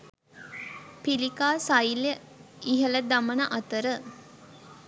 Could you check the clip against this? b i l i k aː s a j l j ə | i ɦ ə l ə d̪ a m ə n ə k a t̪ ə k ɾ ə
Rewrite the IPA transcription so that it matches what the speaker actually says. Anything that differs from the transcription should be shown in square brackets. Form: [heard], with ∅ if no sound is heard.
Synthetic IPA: [p] i l i k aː s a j l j ə | i ɦ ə l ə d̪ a m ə n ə [ʔ] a t̪ ə [∅] ɾ ə